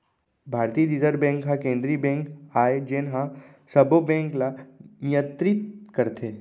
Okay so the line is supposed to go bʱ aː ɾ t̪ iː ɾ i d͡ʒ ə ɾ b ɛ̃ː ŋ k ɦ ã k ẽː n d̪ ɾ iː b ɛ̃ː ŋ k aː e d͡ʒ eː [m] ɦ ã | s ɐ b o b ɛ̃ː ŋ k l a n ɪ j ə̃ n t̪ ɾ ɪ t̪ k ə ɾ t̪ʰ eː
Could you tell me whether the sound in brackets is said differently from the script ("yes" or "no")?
yes